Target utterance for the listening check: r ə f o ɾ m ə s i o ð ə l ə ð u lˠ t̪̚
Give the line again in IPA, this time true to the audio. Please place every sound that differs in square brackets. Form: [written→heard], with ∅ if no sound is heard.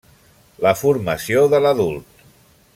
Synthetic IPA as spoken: [r→l] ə f [o→u] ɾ m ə s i o ð ə l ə ð u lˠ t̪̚